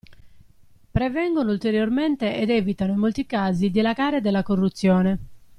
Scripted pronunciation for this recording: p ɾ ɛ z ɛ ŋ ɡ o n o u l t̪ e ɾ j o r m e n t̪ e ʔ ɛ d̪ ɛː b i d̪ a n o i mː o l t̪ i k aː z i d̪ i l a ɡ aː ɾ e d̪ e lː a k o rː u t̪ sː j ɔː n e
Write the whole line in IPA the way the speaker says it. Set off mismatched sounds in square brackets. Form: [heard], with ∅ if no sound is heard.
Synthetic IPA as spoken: p ɾ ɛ [v] ɛ ŋ ɡ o n o u l t̪ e ɾ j o r m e n t̪ e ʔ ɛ d̪ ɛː [v] i [t̪] a n o i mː o l t̪ i k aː z i d̪ i l a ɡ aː ɾ e d̪ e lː a k o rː u t̪ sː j ɔː n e